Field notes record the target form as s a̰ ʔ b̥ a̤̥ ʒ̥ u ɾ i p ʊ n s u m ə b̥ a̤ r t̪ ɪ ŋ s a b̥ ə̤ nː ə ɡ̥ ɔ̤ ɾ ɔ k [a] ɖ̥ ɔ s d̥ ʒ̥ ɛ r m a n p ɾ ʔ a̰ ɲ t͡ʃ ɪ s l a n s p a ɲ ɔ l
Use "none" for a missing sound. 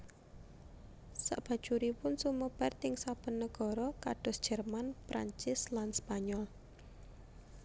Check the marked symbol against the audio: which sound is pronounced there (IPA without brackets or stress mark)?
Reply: a